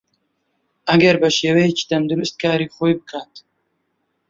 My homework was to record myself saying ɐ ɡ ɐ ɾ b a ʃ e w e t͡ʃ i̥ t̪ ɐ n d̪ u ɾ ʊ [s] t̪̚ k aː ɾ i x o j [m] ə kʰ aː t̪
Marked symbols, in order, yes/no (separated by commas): yes, no